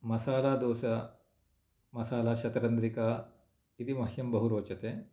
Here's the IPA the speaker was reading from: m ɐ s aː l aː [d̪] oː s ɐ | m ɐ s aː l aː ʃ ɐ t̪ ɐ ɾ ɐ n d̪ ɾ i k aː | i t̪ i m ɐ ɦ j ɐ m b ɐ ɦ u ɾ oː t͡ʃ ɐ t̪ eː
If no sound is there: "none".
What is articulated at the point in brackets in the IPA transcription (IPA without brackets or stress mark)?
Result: d̪